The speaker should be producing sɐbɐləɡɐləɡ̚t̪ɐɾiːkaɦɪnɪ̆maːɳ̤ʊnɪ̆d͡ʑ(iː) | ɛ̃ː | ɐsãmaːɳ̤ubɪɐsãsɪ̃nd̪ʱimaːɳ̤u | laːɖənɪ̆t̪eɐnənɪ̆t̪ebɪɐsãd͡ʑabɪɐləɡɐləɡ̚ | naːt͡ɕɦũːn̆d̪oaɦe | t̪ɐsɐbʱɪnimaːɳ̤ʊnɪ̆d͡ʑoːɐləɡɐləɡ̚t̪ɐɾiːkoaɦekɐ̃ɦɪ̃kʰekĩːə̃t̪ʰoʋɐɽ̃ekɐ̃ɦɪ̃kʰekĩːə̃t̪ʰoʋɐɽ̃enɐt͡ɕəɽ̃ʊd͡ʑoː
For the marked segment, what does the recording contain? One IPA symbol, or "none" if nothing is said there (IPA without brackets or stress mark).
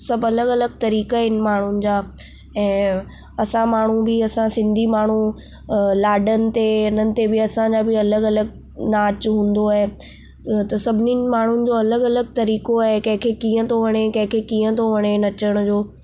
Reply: aː